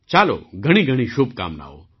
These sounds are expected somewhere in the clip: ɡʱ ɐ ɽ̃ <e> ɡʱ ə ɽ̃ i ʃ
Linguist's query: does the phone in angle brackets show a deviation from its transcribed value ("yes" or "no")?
yes